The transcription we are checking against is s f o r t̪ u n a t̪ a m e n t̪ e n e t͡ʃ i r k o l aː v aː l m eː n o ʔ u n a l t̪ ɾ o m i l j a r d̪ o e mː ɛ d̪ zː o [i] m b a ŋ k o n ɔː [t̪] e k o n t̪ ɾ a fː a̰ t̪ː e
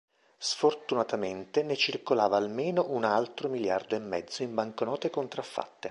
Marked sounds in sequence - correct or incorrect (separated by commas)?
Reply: correct, correct